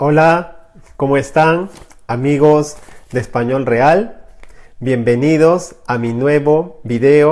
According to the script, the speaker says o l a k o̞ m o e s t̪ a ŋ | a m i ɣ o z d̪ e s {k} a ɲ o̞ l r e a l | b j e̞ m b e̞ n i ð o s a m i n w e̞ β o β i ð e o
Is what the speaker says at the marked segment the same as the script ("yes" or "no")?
no